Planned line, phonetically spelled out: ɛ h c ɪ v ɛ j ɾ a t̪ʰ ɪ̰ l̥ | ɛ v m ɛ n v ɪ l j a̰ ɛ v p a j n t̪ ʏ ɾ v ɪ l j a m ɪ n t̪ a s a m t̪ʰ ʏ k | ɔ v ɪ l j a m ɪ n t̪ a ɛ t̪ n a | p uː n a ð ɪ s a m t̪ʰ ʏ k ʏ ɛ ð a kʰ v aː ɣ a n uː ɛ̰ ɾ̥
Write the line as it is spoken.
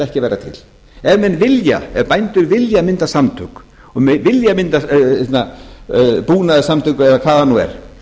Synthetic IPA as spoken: ɛ h c ɪ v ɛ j ɾ a t̪ʰ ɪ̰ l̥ | ɛ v m ɛ n v ɪ l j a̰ ɛ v p a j n t̪ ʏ ɾ v ɪ l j a m ɪ n t̪ a s a m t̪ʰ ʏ k | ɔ v ɪ l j a m ɪ n t̪ a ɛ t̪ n a | p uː n a ð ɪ s a m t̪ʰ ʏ k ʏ ɛ ð a kʰ v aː ð a n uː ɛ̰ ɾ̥